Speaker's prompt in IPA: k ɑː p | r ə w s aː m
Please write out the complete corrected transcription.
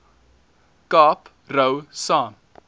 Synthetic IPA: k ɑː p | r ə w s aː m